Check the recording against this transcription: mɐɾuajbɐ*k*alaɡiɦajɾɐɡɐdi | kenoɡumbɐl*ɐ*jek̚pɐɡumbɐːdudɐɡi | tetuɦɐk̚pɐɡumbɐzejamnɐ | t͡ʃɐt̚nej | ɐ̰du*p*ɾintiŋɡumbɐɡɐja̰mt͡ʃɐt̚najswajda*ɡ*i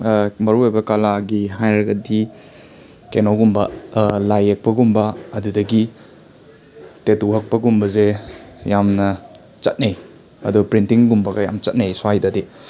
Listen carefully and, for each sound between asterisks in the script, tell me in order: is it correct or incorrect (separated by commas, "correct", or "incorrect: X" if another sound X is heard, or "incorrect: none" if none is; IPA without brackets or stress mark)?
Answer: correct, incorrect: a, correct, incorrect: d